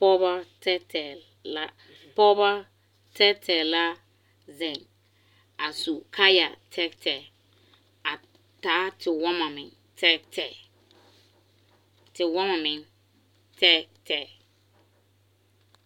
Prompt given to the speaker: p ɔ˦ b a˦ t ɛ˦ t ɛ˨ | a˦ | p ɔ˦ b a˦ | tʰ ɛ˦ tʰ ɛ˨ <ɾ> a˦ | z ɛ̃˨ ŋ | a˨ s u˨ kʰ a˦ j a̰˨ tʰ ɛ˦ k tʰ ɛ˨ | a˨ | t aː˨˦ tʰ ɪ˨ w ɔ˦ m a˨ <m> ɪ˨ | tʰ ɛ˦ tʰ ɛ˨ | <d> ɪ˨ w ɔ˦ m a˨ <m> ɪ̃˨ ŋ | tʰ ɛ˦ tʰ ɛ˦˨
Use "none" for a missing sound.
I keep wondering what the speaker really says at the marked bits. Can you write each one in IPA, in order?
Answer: l, m, t, m

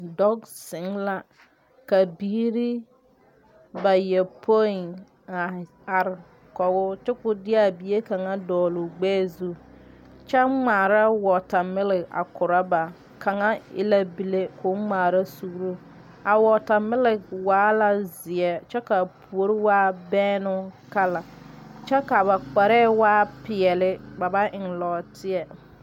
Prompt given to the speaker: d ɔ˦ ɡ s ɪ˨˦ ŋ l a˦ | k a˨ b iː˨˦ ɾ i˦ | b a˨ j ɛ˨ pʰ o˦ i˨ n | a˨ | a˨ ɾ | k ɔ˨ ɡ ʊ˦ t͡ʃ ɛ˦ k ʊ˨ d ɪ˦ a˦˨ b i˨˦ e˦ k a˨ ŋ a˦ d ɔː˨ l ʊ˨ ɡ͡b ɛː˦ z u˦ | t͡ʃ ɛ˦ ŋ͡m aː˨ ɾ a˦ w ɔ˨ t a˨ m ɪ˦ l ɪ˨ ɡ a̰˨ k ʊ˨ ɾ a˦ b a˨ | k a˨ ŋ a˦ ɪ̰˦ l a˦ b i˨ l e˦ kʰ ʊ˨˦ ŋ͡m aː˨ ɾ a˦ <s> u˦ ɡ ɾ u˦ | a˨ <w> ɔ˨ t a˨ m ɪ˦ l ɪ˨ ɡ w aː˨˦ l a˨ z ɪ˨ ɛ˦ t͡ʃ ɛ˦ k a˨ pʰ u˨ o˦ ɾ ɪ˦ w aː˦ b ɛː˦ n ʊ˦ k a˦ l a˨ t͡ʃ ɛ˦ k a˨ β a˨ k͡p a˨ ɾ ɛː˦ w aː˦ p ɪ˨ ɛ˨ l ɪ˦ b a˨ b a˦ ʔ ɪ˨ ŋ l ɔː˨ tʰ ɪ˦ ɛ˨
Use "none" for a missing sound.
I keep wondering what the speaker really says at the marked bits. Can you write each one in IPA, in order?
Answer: s, w

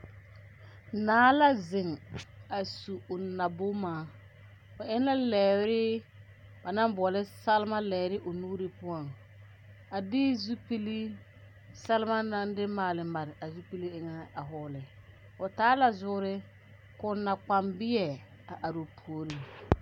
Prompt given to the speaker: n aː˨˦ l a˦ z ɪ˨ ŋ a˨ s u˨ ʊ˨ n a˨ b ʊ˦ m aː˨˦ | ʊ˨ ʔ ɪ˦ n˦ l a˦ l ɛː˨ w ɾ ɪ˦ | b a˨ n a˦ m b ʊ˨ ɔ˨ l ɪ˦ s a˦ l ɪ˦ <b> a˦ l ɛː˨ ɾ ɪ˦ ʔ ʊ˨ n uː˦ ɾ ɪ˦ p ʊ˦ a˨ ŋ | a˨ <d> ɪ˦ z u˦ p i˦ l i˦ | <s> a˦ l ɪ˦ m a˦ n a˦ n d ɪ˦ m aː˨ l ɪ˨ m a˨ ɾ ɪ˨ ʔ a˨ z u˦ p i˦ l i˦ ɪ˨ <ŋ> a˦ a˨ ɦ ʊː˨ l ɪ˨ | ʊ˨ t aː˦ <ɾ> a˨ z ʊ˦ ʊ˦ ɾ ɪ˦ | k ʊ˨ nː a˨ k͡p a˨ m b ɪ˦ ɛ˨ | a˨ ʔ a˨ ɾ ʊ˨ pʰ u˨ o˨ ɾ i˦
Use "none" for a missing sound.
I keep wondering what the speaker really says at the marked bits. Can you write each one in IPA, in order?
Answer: m, d, s, ŋ, l

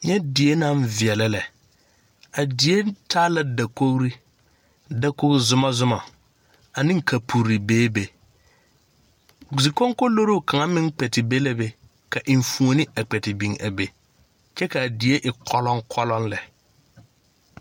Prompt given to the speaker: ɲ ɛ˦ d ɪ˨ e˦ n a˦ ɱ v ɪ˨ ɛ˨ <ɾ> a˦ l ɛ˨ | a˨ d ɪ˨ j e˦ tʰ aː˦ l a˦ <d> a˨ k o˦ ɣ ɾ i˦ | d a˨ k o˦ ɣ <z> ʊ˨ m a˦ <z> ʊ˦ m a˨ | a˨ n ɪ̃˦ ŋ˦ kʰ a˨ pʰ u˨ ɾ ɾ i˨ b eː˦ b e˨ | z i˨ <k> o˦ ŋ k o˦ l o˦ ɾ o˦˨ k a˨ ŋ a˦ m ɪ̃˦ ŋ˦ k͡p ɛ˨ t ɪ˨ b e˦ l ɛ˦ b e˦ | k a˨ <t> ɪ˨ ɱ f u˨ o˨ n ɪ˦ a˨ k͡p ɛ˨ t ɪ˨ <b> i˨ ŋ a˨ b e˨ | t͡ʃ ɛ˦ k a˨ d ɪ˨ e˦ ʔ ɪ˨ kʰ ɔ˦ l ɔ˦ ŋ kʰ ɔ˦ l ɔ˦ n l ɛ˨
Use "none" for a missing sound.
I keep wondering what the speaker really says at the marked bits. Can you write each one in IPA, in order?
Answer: l, d, z, z, k, ʔ, b

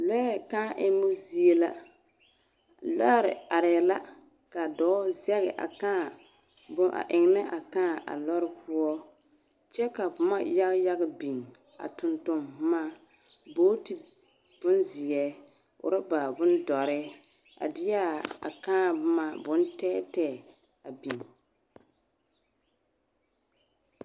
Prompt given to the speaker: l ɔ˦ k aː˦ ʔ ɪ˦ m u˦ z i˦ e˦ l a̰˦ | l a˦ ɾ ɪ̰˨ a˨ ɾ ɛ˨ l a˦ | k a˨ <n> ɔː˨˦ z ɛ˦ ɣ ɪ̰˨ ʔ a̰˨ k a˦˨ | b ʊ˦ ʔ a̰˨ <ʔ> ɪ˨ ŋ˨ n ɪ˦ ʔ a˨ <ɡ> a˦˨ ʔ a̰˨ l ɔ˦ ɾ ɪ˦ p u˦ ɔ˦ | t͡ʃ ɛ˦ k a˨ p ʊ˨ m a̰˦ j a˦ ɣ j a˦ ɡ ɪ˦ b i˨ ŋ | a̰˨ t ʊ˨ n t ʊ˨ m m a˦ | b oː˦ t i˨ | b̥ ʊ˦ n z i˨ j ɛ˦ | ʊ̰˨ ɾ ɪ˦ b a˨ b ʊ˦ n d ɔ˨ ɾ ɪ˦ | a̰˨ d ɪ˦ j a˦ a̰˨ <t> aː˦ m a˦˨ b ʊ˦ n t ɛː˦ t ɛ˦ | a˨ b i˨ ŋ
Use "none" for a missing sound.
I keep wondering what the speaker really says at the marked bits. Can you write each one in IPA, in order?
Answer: d, ʔ, k, k

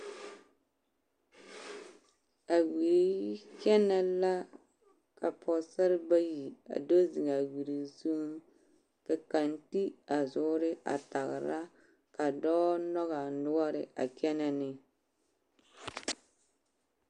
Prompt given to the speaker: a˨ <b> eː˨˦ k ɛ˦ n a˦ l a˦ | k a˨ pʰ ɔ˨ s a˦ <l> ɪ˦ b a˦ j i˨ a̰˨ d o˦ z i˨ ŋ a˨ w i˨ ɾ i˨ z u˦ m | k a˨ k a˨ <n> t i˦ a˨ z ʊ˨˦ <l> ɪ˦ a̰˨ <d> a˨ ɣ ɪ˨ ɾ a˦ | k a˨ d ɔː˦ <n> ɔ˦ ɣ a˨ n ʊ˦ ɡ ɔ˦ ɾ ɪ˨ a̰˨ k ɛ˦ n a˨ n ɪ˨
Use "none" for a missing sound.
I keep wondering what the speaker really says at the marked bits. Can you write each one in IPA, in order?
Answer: w, ɾ, n, ɾ, t, n

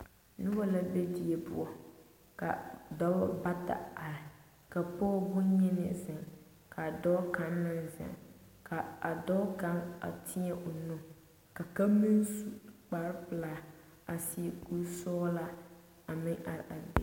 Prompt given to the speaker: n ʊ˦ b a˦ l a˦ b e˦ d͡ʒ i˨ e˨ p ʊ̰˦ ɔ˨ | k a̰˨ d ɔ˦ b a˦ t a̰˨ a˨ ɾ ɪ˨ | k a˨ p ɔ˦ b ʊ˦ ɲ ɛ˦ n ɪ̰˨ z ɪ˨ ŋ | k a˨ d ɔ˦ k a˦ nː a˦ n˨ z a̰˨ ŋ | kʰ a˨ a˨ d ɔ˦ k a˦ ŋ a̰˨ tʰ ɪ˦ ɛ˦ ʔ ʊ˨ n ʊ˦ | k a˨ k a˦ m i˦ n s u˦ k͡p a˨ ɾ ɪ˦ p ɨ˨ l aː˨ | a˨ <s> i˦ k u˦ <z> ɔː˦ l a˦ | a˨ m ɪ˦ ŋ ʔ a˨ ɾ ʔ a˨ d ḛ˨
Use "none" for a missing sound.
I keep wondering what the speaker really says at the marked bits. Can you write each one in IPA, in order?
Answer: s, s

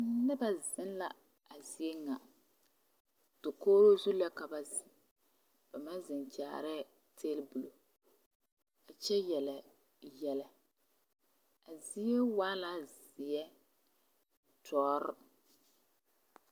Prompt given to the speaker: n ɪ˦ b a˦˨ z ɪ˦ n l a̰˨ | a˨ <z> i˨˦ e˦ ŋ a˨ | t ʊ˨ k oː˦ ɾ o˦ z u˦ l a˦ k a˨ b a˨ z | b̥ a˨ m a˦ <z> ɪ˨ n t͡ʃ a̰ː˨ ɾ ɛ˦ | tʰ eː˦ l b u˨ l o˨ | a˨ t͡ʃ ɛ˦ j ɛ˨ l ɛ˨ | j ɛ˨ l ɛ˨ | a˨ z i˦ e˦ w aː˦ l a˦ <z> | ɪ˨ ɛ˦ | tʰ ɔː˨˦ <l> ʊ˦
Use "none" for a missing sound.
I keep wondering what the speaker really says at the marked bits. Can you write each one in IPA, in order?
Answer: z, z, z, ɾ

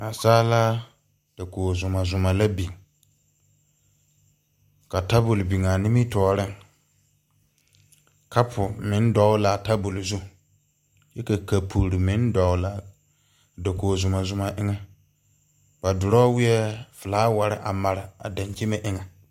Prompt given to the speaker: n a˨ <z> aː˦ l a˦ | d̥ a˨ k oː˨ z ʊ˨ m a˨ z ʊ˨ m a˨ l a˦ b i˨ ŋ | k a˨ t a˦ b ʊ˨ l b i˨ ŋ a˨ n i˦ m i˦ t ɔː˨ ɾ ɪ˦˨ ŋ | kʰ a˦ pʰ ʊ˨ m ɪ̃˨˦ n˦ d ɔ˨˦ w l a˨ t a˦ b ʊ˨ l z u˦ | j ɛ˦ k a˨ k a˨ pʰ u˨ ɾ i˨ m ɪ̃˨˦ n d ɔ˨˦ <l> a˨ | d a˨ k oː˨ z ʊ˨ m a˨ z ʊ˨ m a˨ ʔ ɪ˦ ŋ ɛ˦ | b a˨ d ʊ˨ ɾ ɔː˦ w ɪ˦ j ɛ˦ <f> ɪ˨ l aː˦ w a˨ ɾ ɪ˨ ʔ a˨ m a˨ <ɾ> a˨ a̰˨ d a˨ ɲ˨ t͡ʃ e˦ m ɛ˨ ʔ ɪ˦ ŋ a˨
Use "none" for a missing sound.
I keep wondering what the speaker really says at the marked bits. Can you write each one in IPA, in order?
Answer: s, l, f, ɾ

